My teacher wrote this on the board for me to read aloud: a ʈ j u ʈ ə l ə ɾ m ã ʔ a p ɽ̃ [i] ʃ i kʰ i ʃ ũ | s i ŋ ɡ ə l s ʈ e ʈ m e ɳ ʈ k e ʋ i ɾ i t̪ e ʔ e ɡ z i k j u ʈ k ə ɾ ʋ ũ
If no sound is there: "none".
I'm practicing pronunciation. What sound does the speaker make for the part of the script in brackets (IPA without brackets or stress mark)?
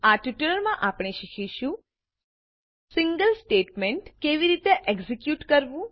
e